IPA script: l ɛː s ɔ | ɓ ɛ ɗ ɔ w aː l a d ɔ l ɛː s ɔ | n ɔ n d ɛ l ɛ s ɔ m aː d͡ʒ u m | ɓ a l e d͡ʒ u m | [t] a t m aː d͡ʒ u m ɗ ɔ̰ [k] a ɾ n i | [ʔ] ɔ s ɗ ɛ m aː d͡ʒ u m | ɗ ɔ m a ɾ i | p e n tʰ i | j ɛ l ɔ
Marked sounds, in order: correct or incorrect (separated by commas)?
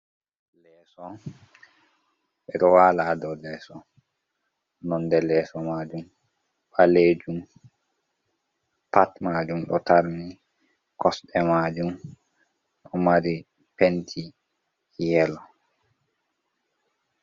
incorrect, incorrect, incorrect